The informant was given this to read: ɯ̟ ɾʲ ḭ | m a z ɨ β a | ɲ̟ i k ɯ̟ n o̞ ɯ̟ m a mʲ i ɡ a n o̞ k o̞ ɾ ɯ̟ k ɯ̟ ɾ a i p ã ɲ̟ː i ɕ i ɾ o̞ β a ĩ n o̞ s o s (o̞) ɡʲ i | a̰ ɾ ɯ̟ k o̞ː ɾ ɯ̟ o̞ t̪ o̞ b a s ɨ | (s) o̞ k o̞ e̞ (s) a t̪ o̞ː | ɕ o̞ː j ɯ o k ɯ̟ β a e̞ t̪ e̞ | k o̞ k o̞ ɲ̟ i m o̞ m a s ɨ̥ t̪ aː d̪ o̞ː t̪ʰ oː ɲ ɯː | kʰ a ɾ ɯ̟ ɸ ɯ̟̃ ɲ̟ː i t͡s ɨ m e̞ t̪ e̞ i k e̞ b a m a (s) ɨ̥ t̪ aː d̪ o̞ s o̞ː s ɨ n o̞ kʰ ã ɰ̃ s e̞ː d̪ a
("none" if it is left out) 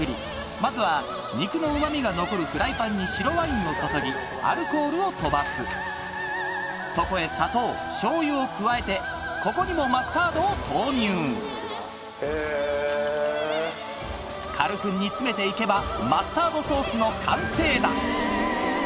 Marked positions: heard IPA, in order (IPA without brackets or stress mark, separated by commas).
o̞, s, s, s